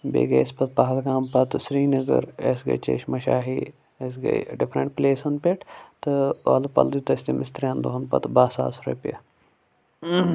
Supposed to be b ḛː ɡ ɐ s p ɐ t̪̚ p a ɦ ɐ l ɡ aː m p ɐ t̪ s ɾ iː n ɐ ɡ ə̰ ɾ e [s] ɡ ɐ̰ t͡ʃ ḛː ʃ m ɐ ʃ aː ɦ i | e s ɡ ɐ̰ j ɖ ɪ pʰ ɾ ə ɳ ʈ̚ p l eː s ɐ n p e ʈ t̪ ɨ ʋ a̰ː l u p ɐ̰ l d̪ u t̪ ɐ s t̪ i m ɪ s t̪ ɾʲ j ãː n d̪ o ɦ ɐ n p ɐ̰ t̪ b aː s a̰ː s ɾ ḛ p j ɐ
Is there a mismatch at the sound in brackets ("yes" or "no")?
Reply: no